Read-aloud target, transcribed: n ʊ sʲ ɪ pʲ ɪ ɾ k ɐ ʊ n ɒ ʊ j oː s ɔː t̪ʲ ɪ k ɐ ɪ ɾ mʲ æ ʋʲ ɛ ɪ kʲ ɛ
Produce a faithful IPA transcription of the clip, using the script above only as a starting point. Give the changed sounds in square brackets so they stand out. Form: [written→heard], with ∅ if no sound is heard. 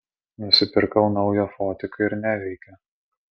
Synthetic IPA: n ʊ sʲ ɪ pʲ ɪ ɾ k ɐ ʊ n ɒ ʊ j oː [s→f] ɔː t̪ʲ ɪ k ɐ ɪ ɾ [mʲ→nʲ] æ ʋʲ ɛ ɪ kʲ ɛ